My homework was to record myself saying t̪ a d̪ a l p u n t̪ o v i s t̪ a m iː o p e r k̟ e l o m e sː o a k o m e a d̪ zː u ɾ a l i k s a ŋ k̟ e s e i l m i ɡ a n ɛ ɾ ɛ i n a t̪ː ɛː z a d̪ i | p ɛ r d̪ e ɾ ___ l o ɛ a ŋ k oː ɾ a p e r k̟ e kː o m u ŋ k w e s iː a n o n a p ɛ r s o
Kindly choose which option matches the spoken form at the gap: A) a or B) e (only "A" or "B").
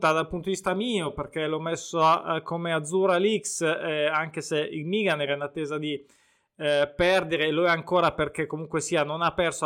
B